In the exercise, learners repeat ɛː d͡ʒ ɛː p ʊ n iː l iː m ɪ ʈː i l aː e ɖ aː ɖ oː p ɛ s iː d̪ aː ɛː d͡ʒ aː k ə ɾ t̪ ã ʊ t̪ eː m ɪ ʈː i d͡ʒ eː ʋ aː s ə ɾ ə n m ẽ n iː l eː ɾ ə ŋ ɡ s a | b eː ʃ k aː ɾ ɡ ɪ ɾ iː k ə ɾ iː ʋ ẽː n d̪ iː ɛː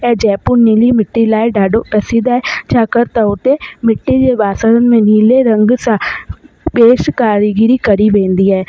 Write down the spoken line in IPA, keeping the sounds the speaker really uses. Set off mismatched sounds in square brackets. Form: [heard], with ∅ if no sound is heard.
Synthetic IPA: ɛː d͡ʒ ɛː p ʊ n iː l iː m ɪ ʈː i l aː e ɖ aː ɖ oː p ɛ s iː d̪ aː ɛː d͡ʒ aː k ə ɾ t̪ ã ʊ t̪ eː m ɪ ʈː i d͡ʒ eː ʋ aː s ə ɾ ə n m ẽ n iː l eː ɾ ə ŋ ɡ s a | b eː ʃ k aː ɾ ɡ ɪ ɾ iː k ə ɾ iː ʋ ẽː n d̪ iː ɛː